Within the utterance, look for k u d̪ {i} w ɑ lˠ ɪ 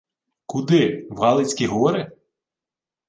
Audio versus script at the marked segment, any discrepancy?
yes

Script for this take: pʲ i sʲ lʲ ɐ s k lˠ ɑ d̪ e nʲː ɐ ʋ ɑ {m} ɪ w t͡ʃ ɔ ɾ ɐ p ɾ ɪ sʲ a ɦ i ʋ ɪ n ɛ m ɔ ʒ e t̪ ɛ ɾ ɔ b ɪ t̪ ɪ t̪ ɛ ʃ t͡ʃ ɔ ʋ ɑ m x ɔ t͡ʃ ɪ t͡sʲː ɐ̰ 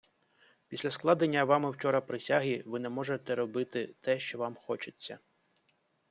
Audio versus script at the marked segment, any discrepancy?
no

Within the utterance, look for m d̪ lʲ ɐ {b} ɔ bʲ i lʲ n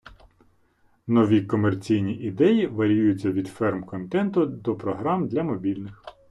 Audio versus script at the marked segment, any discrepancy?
yes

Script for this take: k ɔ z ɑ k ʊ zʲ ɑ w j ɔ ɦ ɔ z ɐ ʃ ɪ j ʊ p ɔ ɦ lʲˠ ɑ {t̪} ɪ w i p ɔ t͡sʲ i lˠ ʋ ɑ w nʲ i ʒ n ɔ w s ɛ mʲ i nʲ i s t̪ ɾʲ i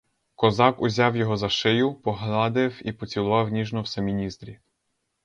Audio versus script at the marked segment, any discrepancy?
yes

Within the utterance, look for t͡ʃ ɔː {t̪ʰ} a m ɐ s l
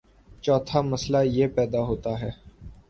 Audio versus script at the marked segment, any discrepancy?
no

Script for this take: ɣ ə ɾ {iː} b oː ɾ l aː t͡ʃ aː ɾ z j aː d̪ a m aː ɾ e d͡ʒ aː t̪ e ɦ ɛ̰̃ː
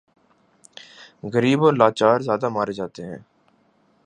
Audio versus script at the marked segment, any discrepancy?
no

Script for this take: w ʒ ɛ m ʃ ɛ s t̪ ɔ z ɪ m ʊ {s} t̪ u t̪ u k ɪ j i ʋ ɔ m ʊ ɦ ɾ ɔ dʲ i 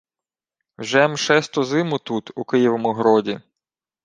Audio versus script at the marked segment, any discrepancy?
yes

